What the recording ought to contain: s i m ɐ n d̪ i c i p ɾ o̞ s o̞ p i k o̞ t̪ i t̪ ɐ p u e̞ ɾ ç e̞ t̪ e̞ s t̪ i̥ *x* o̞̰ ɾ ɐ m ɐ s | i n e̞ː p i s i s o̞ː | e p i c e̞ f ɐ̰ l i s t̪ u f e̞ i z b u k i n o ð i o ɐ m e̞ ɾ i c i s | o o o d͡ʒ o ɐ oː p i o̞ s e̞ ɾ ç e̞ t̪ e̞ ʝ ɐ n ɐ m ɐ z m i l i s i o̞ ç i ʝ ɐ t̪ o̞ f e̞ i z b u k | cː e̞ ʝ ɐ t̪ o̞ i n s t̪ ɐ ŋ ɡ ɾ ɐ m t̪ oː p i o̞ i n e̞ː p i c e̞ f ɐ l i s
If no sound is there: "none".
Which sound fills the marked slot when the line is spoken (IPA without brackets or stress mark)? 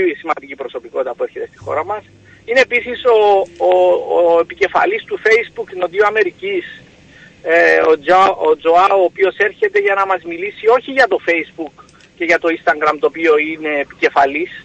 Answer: x